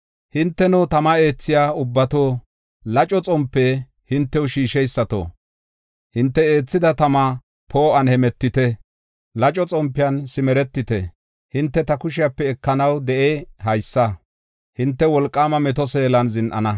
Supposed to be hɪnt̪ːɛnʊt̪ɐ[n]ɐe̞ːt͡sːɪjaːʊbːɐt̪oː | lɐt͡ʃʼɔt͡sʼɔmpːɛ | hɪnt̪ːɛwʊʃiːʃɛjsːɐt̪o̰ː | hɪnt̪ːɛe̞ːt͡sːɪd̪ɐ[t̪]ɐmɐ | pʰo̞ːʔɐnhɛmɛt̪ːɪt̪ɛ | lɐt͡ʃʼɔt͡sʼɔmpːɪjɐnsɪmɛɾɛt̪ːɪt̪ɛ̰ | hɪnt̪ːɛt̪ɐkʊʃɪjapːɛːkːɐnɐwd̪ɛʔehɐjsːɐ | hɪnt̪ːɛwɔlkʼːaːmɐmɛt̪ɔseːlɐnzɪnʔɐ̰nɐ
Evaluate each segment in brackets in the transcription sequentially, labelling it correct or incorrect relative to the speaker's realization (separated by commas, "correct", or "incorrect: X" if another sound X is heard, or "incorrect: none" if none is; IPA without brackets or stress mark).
incorrect: m, correct